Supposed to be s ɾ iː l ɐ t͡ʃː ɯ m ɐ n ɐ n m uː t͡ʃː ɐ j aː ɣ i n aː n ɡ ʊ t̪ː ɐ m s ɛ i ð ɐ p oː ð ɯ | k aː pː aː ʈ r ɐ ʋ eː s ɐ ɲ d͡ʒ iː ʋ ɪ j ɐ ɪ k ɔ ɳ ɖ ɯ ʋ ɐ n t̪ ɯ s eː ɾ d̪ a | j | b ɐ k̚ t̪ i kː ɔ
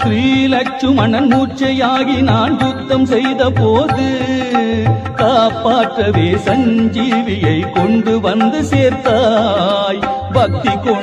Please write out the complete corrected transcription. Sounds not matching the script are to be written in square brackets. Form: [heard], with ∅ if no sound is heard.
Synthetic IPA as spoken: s ɾ iː l ɐ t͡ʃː ɯ m ɐ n ɐ n m uː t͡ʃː ɐ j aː ɣ i n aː n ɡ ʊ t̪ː ɐ m s ɛ [j] ð ɐ p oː ð ɯ | k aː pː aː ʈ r ɐ ʋ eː s ɐ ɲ d͡ʒ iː ʋ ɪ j ɐ ɪ k ɔ ɳ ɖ ɯ ʋ ɐ n [d̪] ɯ s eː ɾ [t̪] a | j | b ɐ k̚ t̪ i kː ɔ